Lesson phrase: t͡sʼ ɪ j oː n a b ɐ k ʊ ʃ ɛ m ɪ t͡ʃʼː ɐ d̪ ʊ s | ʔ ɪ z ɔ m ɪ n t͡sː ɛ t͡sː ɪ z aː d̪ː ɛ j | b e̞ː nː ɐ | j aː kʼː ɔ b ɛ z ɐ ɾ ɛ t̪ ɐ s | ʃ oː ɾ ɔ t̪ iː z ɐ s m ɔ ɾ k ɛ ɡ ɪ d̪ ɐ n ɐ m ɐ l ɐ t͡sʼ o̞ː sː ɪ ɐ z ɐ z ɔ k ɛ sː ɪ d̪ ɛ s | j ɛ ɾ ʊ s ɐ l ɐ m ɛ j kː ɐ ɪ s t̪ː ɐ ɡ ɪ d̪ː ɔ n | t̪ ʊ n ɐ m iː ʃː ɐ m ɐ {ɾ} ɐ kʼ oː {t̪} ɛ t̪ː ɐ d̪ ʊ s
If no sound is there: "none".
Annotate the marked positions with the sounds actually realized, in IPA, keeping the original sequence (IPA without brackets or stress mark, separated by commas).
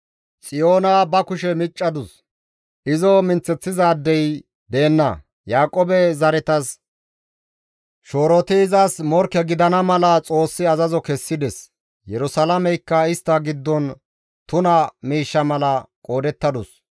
l, d̪